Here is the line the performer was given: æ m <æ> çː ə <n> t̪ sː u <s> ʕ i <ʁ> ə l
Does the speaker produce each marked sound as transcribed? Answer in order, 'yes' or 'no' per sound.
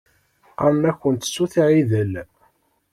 yes, yes, no, no

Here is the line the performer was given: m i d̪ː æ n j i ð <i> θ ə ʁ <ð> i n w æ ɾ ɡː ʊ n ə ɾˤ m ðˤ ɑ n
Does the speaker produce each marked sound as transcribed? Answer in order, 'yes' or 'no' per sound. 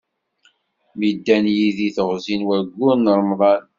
yes, no

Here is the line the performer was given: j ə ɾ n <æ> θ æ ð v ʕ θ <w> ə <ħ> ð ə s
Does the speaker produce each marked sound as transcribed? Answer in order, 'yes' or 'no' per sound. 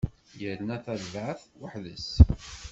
yes, yes, yes

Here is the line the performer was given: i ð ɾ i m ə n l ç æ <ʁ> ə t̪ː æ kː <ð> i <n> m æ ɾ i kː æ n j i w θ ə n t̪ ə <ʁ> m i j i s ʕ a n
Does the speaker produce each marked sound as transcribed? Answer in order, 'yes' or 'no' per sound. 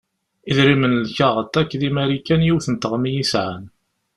yes, yes, no, yes

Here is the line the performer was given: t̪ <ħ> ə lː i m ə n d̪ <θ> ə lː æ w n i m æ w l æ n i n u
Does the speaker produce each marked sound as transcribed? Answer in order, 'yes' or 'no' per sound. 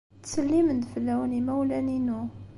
no, no

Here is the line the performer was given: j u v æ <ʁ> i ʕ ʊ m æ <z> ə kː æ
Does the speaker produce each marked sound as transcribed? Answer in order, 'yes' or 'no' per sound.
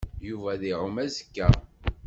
no, yes

